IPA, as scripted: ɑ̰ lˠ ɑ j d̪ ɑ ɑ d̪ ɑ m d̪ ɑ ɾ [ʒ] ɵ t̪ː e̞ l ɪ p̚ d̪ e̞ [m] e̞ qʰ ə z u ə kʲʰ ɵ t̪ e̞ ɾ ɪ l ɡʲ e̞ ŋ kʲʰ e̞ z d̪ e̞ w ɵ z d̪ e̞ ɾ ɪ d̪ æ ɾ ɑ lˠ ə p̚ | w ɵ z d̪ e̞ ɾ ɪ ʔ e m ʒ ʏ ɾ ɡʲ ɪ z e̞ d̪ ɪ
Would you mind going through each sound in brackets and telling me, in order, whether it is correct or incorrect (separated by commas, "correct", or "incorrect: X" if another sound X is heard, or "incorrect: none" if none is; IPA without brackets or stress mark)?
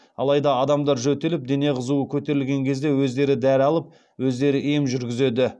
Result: correct, incorrect: n